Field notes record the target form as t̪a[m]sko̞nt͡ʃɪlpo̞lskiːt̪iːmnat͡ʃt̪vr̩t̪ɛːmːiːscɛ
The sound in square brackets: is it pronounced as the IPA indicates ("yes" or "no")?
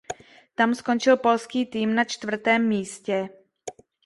yes